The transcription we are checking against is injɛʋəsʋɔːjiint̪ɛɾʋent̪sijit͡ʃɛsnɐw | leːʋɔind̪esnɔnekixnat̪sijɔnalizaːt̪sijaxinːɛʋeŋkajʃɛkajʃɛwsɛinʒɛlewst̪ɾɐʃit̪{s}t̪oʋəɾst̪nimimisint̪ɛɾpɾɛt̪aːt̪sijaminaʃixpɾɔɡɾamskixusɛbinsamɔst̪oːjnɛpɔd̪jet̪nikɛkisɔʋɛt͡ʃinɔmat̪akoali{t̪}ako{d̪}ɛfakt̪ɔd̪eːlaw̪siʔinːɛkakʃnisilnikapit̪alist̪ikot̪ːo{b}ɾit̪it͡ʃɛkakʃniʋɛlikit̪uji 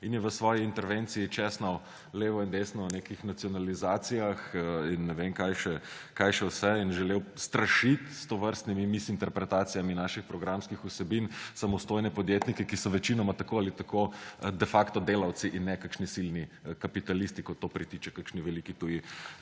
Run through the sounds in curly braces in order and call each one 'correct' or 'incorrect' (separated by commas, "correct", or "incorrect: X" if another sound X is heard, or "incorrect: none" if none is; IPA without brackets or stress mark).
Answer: correct, correct, correct, incorrect: p